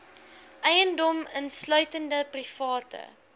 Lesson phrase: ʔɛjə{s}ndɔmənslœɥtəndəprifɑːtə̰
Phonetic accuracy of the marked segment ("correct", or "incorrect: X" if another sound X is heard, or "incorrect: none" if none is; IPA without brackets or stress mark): incorrect: none